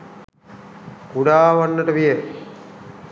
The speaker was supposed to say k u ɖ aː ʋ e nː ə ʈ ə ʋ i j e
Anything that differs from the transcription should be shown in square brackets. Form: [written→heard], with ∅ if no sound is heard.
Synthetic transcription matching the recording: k u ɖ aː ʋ [e→a] nː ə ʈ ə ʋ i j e